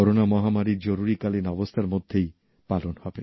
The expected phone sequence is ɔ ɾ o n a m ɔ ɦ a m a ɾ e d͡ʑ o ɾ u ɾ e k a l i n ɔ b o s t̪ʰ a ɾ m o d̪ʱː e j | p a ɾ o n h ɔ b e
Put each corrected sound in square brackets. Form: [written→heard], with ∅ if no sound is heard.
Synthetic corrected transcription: ɔ ɾ o n a m ɔ ɦ a m a ɾ [e→i] d͡ʑ o ɾ u ɾ [e→i] k a l i n ɔ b o s t̪ʰ a ɾ m o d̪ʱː e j | p a [ɾ→l] o n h ɔ b e